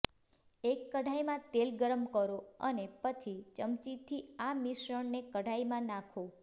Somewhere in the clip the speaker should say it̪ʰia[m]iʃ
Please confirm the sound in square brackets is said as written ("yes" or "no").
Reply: yes